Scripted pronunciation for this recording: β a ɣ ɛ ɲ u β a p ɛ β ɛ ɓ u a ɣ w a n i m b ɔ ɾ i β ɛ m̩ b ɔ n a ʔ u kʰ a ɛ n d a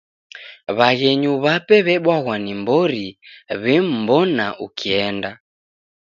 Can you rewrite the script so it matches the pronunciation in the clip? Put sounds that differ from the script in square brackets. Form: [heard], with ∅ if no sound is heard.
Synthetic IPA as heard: β a ɣ ɛ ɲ u β a p ɛ β ɛ ɓ [w] a ɣ w a n i m b ɔ ɾ i β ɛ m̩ b ɔ n a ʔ u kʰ [i] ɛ n d a